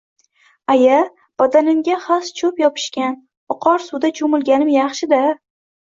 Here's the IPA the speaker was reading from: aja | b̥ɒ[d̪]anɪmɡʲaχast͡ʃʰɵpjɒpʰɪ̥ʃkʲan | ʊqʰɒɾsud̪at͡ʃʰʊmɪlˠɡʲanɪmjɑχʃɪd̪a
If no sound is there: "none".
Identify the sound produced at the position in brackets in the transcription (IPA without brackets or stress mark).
d̪